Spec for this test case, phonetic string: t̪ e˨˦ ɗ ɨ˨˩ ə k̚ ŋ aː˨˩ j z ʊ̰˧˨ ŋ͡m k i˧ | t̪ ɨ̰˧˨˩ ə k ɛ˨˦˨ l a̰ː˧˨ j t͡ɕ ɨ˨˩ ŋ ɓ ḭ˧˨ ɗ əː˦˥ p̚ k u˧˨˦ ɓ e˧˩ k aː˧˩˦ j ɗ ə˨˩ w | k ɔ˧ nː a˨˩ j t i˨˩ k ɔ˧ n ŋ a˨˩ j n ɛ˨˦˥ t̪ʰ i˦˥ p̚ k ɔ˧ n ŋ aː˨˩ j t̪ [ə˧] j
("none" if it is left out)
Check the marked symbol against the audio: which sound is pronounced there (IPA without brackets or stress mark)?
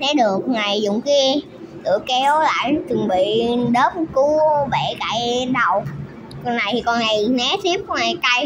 a˧